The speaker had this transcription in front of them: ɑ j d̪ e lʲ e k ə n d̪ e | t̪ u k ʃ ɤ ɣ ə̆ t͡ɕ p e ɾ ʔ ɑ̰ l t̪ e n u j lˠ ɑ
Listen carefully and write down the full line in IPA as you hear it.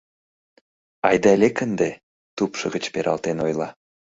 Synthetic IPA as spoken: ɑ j d̪ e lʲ e k ə n d̪ e | t̪ u p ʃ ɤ ɣ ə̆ t͡ɕ p e ɾ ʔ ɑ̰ l t̪ e n o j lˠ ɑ